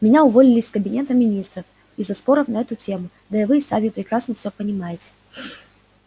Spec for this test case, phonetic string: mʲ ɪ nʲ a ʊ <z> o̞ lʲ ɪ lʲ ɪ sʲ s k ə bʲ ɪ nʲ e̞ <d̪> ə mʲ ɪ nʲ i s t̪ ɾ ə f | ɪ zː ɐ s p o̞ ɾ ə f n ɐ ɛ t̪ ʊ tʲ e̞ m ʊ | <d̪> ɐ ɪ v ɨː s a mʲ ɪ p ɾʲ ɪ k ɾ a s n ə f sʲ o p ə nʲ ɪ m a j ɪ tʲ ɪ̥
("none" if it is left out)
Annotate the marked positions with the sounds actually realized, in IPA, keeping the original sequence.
v, t̪, d̪

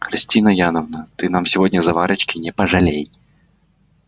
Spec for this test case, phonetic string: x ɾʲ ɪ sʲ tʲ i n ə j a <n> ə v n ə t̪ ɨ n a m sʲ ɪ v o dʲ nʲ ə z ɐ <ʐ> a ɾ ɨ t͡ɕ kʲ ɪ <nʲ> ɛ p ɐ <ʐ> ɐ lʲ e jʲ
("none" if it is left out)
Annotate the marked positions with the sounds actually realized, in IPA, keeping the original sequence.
n, v, nʲ, ʐ

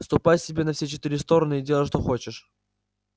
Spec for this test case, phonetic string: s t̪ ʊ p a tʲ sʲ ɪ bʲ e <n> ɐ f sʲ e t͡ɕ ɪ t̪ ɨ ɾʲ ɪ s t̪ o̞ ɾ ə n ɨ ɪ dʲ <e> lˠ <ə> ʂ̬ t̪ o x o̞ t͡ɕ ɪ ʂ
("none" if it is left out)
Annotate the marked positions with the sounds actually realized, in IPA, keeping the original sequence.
n, e, ə

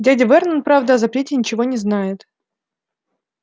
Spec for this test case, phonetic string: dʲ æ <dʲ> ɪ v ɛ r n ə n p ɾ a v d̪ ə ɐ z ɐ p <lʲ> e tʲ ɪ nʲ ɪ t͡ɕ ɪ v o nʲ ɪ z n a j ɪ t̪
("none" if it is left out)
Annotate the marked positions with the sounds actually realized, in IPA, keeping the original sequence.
dʲ, ɾʲ

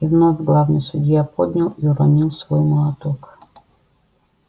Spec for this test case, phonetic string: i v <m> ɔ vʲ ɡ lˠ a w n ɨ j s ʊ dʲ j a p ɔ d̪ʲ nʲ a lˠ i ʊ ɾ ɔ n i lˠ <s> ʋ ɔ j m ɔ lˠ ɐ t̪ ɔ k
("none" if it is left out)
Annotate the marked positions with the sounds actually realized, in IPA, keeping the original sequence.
n, s

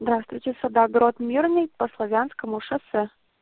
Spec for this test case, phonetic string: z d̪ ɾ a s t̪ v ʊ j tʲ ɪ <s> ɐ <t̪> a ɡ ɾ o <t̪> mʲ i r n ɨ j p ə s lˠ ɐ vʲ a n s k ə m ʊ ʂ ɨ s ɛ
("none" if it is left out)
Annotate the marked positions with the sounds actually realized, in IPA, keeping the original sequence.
s, d̪, t̪

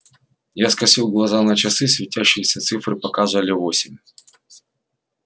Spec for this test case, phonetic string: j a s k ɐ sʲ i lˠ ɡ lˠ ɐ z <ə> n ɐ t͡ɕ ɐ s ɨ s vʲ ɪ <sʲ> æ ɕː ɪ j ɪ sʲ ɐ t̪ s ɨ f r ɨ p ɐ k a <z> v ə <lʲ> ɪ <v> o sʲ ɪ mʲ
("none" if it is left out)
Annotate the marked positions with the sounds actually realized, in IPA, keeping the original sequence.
a, tʲ, z, lʲ, v

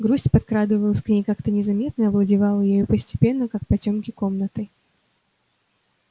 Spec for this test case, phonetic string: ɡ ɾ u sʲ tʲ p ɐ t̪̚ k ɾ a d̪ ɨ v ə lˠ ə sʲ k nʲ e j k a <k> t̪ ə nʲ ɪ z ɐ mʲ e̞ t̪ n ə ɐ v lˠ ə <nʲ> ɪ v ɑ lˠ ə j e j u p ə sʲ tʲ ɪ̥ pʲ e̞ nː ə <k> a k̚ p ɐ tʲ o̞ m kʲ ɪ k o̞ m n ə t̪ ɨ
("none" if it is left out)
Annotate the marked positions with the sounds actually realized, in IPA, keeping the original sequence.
k, dʲ, k

